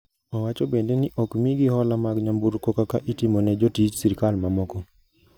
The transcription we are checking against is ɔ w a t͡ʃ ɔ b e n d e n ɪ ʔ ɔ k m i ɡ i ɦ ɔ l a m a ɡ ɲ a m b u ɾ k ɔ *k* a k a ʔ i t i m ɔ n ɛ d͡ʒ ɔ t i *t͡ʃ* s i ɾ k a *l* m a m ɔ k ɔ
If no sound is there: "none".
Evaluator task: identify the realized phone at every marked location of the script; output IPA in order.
k, t͡ʃ, l

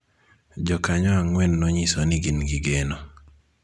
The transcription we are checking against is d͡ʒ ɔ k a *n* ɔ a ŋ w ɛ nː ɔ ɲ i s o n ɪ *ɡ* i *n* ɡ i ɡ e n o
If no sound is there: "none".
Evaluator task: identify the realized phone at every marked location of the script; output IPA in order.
ɲ, ɡ, n

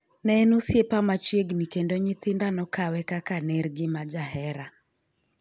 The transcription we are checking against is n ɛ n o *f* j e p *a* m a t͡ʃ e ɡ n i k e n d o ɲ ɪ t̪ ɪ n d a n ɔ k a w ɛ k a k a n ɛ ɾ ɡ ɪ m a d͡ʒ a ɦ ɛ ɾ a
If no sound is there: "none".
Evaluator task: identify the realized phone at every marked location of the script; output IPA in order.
s, a

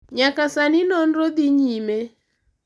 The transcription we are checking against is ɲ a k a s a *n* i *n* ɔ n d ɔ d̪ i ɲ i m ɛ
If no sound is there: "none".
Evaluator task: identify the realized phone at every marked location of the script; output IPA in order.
n, n

